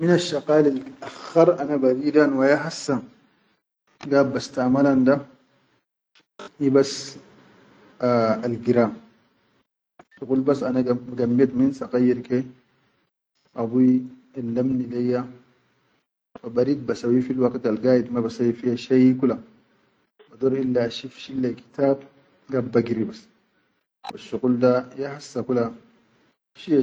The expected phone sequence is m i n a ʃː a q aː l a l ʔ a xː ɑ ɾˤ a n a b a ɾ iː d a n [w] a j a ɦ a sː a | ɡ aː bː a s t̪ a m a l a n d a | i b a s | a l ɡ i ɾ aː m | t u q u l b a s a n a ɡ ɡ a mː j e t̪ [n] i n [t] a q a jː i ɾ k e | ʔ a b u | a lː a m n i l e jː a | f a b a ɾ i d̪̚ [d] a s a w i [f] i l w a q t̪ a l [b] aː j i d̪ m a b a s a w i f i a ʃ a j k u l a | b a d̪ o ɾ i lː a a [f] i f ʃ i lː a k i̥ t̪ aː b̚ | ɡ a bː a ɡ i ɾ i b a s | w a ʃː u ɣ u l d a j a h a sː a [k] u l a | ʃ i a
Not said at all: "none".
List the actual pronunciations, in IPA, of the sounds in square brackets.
w, m, s, b, f, ɡ, ʃ, k

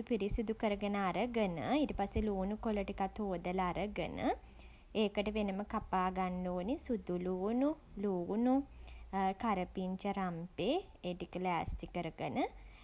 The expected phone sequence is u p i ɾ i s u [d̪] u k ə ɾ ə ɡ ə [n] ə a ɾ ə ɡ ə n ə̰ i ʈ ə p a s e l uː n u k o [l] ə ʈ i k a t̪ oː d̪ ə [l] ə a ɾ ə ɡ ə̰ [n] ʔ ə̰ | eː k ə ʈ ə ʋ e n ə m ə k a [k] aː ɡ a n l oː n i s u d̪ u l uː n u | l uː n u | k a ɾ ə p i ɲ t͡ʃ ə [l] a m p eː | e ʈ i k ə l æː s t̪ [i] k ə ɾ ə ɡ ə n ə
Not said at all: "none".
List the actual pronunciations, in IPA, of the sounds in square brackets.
d̪, n, l, l, n, p, ɾ, i

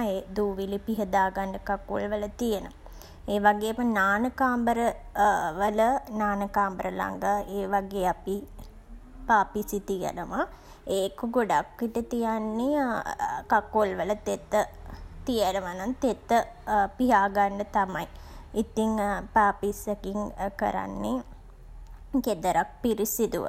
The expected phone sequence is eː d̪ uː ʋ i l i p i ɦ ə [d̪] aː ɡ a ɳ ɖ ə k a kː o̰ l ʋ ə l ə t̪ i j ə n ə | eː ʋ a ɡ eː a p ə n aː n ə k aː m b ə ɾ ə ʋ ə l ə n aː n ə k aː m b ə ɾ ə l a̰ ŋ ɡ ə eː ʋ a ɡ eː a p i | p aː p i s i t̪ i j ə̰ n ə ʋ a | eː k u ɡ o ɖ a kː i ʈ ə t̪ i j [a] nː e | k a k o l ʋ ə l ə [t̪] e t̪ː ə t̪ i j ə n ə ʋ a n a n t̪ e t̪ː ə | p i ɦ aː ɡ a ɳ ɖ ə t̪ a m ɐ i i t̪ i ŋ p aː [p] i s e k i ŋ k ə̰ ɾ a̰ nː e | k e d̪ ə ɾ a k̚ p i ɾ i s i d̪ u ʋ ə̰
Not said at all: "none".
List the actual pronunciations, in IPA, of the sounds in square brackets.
d̪, a, t̪, p

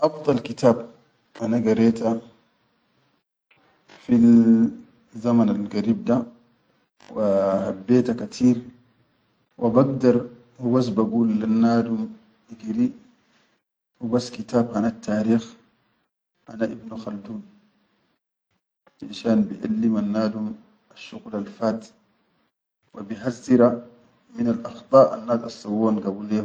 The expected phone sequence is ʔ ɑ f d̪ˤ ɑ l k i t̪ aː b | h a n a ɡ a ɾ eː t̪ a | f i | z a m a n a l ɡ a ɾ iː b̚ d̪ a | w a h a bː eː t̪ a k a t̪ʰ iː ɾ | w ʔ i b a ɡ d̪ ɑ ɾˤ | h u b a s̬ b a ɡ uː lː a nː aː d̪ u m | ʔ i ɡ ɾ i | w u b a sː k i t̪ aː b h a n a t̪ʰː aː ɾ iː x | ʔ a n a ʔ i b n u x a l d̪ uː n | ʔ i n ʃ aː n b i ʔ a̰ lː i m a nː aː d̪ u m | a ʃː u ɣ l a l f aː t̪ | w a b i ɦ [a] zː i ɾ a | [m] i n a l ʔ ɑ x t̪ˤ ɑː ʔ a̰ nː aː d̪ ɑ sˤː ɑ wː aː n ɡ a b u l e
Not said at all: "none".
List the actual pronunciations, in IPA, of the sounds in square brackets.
a, m

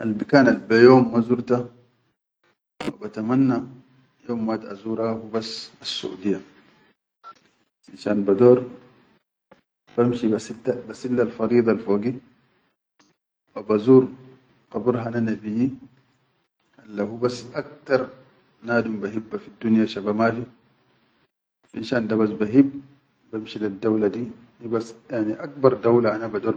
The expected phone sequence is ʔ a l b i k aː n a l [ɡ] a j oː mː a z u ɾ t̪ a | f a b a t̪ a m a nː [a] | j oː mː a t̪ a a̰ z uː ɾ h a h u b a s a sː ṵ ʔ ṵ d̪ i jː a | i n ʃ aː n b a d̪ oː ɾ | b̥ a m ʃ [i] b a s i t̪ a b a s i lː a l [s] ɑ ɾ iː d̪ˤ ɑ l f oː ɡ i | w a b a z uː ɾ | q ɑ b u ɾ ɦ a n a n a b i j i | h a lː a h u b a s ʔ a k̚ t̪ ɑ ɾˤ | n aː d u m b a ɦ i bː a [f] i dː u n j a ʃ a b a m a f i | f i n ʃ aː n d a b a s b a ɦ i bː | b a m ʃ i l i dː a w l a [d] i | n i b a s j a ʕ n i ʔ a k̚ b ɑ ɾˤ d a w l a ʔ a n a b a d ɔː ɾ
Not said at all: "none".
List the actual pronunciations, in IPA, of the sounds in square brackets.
b, a, i, f, f, d

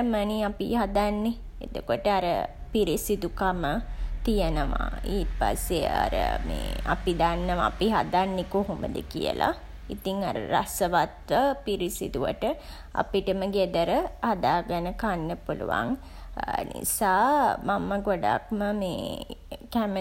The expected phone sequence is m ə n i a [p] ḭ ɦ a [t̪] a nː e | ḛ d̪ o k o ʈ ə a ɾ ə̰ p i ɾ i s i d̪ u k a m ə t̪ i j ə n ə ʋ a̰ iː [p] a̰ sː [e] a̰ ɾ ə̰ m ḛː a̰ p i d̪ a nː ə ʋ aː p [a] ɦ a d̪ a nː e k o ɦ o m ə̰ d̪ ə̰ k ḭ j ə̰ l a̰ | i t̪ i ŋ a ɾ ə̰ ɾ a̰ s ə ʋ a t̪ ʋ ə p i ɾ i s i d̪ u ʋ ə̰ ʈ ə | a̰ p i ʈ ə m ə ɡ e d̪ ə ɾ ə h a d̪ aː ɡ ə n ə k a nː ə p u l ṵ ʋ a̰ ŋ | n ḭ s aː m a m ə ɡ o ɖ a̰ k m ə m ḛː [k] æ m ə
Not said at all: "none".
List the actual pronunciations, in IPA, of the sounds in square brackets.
p, d̪, p, e, i, k

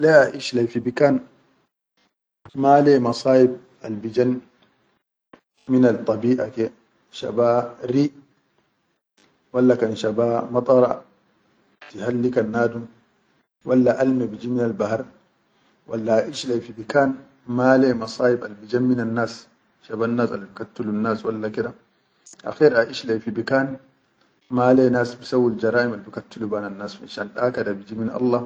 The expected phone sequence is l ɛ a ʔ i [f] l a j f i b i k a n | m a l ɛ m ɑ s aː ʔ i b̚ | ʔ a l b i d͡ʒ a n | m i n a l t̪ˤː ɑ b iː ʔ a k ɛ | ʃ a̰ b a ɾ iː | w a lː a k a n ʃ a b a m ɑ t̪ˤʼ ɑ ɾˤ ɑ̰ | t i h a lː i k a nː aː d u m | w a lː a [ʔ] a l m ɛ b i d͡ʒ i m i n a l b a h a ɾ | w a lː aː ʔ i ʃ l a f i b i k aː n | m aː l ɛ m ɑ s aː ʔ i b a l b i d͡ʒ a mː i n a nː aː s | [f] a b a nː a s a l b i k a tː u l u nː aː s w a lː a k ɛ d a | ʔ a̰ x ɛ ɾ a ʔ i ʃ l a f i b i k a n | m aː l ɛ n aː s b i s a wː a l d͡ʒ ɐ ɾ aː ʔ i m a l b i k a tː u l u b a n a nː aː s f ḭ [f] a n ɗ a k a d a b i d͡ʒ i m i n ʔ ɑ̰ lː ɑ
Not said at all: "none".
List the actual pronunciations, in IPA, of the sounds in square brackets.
ʃ, ʔ, ʃ, ʃ

